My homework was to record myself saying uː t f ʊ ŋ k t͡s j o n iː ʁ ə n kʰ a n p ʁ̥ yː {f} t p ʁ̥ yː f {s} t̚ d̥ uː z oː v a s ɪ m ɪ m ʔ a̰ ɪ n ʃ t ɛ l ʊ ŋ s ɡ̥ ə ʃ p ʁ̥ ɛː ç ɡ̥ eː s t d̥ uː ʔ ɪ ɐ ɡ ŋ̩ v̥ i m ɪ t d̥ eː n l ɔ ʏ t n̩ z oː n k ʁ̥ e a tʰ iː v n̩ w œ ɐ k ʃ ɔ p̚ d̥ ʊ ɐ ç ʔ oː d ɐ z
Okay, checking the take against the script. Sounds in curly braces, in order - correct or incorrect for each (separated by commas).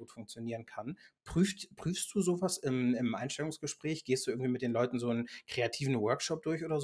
correct, correct